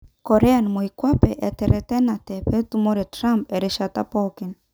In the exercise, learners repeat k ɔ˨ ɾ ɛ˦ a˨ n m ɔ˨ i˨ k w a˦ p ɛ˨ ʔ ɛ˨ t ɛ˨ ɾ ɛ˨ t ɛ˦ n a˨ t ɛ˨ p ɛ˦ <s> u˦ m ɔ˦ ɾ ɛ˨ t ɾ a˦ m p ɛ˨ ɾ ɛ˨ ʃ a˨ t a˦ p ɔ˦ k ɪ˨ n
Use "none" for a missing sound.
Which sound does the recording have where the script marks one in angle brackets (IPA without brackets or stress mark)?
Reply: t